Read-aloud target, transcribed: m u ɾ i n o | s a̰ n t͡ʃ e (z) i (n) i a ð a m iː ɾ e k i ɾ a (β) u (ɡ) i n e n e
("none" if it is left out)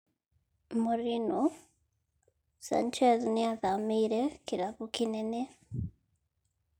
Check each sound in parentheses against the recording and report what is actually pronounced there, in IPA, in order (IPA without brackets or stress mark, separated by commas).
z, n, β, k